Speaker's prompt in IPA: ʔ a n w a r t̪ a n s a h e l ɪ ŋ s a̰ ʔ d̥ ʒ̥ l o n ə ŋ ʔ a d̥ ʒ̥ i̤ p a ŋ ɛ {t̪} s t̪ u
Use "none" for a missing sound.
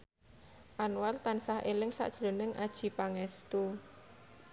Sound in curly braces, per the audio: none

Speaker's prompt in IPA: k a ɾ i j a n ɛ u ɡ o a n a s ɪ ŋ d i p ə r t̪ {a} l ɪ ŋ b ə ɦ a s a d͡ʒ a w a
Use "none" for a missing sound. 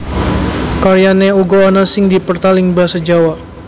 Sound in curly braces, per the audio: a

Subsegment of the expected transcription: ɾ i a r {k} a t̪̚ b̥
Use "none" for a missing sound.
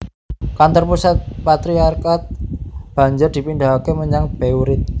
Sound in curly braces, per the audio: k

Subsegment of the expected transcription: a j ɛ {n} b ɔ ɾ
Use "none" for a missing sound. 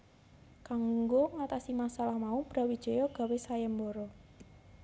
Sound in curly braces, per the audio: m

